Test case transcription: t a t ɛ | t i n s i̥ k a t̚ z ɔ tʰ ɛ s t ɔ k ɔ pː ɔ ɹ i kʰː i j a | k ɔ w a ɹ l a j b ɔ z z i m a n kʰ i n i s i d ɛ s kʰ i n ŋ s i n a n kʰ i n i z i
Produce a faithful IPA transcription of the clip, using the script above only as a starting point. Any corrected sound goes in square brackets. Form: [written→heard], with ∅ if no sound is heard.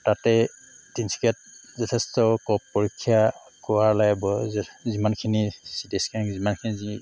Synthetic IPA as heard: t a t ɛ | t i n s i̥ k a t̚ z ɔ tʰ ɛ s t ɔ k ɔ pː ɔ ɹ i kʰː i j a | k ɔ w a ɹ l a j b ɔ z z i m a n kʰ i n i s i d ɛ s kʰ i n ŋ [s→z] i [n→m] a n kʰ i n i z i